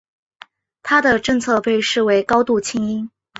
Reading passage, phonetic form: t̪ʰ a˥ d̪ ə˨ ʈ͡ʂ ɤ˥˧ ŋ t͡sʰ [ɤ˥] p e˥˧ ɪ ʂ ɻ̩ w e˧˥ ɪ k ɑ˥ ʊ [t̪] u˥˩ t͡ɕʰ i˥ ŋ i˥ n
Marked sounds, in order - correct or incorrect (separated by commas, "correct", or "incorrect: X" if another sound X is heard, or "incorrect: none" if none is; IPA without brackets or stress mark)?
incorrect: ɤ˥˧, correct